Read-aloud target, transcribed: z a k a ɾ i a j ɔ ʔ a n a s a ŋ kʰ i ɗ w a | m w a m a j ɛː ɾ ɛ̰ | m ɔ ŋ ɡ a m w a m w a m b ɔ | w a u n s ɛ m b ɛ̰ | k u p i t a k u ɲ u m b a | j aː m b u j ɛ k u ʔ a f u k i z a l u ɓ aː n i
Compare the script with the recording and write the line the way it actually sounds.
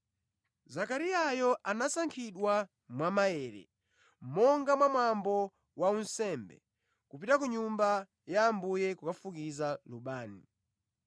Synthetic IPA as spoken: z a k a ɾ i a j ɔ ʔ a n a s a ŋ kʰ i ɗ w a | m w a m a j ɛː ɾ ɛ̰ | m ɔ ŋ ɡ a m w a m w a m b ɔ | w a u n s ɛ m b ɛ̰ | k u p i t a k u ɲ u m b a | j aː m b u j ɛ k u k a f u k i z a l u ɓ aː n i